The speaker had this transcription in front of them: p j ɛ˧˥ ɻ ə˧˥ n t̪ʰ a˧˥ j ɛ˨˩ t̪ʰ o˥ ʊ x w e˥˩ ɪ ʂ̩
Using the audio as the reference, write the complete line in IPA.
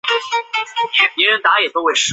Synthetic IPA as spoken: p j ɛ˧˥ ɻ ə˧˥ n t̪ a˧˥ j ɛ˨˩ t̪ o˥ ʊ x w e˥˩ ɪ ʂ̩